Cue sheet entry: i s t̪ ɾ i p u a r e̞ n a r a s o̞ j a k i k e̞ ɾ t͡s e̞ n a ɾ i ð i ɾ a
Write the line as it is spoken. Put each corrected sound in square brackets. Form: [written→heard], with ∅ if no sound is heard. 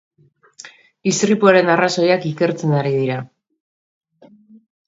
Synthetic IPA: i s t̪ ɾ i p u a [r→ɾ] e̞ n a r a s o̞ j a k i k e̞ ɾ t͡s e̞ n a ɾ i ð i ɾ a